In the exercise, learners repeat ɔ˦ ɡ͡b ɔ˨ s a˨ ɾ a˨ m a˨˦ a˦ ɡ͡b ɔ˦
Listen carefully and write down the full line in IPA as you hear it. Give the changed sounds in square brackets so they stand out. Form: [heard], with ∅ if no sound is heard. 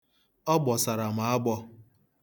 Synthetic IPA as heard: ɔ˦ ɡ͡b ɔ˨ s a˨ ɾ a˨ m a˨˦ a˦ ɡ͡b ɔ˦